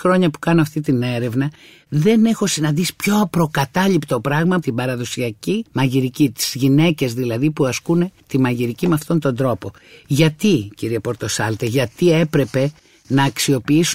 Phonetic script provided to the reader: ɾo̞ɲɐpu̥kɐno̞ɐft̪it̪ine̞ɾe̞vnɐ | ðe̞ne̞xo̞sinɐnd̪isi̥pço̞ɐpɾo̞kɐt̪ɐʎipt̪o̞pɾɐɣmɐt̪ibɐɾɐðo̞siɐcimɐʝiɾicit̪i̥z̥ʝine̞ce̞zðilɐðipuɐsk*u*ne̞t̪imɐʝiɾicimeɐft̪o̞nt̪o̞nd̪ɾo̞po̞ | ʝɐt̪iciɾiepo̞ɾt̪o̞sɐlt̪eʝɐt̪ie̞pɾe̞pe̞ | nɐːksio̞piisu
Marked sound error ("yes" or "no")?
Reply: no